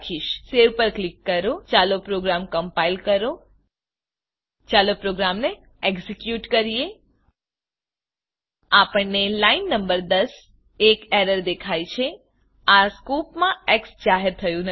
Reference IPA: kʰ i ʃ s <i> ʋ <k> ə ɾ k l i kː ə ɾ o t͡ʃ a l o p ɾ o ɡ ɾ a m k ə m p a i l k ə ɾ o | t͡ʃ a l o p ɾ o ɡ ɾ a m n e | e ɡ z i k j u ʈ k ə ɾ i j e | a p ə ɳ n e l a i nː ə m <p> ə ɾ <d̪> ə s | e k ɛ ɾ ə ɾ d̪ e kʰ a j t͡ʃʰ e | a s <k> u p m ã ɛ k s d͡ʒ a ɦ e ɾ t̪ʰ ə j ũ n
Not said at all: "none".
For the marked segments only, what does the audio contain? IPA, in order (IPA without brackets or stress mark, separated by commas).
e, p, b, d̪, k